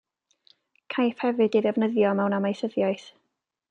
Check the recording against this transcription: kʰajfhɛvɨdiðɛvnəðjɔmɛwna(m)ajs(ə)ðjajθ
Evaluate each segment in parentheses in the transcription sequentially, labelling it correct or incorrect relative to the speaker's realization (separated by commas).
correct, correct